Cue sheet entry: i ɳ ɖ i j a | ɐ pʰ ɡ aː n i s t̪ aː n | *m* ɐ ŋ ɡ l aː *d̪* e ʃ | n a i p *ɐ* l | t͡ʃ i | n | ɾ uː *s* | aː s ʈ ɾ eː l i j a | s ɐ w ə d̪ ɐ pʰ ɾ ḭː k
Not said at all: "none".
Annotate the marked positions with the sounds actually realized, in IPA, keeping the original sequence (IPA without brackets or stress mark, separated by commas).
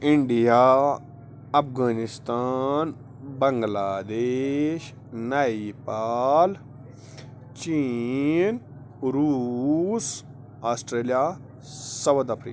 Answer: b, d̪, a, s